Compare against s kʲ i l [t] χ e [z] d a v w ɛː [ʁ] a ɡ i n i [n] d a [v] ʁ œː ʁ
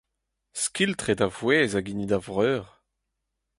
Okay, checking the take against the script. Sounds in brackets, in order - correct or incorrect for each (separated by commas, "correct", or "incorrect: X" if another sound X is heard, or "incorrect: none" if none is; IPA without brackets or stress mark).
correct, incorrect: none, incorrect: z, incorrect: none, correct